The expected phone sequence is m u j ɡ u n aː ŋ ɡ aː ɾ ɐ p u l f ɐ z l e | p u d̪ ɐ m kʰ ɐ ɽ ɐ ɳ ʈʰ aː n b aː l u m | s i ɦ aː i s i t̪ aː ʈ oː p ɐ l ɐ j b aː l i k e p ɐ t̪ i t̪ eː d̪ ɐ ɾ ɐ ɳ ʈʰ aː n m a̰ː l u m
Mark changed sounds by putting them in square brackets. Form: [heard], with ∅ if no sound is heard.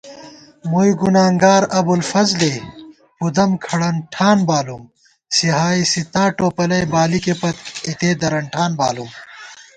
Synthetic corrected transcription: m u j ɡ u n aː ŋ ɡ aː ɾ ɐ [b] u l f ɐ z l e | p u d̪ ɐ m kʰ ɐ ɽ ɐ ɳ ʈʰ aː n b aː l u m | s i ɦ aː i s i t̪ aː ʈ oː p ɐ l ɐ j b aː l i k e p ɐ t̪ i t̪ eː d̪ ɐ ɾ ɐ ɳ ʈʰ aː n [b] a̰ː l u m

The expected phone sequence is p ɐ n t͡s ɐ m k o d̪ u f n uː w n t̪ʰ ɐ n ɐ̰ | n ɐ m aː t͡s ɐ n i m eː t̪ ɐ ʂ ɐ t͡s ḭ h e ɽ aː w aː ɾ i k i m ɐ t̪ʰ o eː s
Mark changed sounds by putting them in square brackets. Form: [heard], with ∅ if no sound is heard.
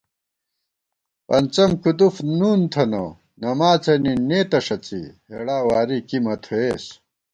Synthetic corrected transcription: p ɐ n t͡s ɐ m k [u] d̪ u f n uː [∅] n t̪ʰ ɐ n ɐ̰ | n ɐ m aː t͡s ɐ n i [n] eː t̪ ɐ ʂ ɐ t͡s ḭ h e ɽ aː w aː ɾ i k i m ɐ t̪ʰ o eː s

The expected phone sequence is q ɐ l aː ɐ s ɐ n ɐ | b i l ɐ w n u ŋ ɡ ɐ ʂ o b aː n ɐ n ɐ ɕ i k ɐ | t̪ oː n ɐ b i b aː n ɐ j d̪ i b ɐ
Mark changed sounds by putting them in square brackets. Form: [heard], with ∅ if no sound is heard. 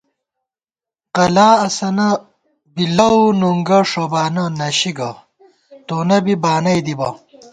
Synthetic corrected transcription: q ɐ l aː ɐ s ɐ n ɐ | b i l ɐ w n u ŋ ɡ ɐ ʂ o b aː n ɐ n ɐ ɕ i [ɡ] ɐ | t̪ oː n ɐ b i b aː n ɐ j d̪ i b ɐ

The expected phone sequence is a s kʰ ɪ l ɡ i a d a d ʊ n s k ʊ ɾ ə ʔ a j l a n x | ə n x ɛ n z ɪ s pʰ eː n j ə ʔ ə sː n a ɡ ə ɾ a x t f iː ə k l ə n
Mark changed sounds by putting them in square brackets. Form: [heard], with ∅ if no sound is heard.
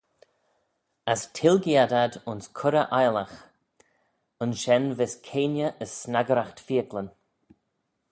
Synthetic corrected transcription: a s [tʰ] ɪ l ɡ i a d a d ʊ n s [kʰ] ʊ ɾ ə ʔ a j l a [∅] x | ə n [ʃ] ɛ n [v] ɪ s [kʰ] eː n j ə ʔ ə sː n a ɡ ə ɾ a x t f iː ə k l ə n

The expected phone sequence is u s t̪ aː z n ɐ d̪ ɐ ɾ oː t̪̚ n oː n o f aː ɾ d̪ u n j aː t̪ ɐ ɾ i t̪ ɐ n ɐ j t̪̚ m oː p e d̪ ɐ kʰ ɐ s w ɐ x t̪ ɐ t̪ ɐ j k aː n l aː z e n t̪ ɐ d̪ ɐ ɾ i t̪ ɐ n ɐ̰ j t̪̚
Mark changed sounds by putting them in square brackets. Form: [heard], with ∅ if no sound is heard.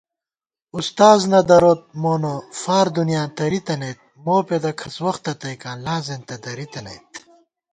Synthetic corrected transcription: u s t̪ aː z n ɐ d̪ ɐ ɾ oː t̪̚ [m] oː n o f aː ɾ d̪ u n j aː t̪ ɐ ɾ i t̪ ɐ n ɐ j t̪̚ m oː p e d̪ ɐ kʰ ɐ s w ɐ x t̪ ɐ t̪ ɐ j k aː n l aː z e n t̪ ɐ d̪ ɐ ɾ i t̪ ɐ n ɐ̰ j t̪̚

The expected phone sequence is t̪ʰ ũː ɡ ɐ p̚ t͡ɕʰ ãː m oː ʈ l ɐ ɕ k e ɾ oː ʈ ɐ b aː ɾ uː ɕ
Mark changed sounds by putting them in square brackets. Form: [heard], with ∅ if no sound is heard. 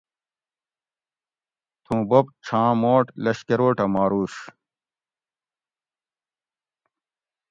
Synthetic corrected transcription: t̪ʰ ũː [b] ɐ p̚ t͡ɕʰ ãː m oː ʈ l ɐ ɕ k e ɾ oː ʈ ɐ [m] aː ɾ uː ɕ

